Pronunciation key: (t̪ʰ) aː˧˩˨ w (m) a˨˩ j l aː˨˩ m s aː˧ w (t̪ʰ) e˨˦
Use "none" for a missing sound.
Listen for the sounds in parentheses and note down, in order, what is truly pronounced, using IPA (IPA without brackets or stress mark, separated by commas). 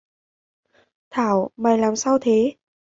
t̪ʰ, m, t̪ʰ